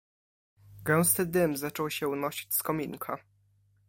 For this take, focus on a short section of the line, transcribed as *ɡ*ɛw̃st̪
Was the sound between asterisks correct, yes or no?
yes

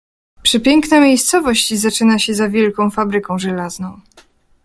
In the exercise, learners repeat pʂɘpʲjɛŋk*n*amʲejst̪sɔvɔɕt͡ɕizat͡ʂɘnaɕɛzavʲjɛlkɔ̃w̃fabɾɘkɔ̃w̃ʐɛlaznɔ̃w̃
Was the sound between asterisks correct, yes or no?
yes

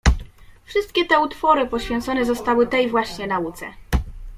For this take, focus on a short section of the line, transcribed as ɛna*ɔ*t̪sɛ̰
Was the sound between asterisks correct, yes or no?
no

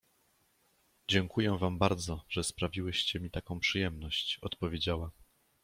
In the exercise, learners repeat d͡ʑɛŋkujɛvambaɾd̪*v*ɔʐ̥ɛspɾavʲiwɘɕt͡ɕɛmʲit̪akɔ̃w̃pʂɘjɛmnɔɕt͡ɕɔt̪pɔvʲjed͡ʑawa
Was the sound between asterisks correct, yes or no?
no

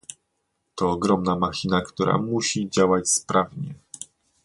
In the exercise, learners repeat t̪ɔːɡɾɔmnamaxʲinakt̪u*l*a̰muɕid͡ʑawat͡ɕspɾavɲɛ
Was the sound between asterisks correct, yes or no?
no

